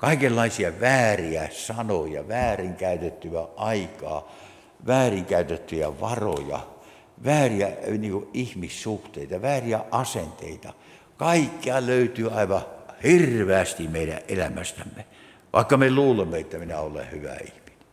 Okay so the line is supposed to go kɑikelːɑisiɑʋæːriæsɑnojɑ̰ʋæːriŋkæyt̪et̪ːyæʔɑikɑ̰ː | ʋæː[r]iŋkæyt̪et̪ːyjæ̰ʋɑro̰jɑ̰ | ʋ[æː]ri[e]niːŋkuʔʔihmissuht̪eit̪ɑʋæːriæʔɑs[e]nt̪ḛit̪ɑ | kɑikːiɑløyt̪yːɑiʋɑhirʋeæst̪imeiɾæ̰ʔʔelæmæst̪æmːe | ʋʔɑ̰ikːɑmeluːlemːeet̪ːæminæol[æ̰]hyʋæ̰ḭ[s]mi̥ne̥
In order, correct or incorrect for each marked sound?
correct, correct, incorrect: æ, correct, incorrect: ḛ, incorrect: h

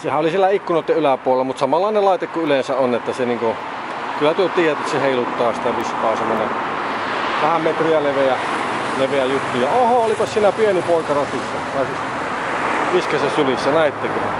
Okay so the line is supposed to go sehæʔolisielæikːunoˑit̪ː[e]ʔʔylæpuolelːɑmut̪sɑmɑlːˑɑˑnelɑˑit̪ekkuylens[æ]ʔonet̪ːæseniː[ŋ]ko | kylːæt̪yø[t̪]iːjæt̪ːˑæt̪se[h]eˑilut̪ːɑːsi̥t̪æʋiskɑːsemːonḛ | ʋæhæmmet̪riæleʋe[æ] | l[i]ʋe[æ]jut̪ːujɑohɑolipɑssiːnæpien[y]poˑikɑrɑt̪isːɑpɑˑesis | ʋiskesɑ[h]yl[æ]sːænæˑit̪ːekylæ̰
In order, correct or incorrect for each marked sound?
correct, correct, correct, correct, correct, correct, incorrect: e, correct, incorrect: i, incorrect: s, incorrect: i

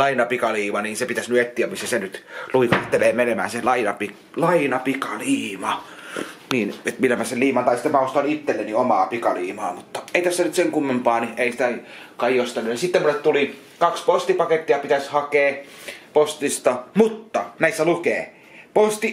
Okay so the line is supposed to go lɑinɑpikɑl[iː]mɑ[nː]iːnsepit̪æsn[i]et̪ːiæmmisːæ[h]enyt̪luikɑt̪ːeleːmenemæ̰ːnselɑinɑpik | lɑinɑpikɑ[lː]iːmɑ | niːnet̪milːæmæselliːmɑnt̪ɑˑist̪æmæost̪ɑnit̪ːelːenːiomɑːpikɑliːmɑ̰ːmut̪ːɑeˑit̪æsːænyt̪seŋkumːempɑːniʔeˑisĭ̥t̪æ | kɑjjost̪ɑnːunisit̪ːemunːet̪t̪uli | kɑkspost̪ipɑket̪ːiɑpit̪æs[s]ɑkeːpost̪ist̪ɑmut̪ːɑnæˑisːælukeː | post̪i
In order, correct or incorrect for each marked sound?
correct, incorrect: n, incorrect: y, incorrect: s, incorrect: l, incorrect: h

